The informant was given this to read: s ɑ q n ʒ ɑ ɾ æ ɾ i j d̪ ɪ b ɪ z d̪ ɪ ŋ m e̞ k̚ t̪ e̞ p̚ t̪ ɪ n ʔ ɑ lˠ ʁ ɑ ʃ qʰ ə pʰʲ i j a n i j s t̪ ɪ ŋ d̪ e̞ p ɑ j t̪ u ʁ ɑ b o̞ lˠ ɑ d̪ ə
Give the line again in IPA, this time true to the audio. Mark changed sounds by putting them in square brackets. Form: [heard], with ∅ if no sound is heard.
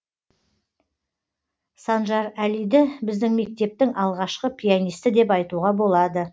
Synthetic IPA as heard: s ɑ [∅] n ʒ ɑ ɾ æ [l] i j d̪ ɪ b ɪ z d̪ ɪ ŋ m e̞ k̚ t̪ e̞ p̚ t̪ ɪ [ŋ] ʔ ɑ lˠ ʁ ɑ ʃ [q] ə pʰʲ i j a n i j s t̪ ɪ [∅] d̪ e̞ p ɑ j t̪ u ʁ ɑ b o̞ lˠ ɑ d̪ ə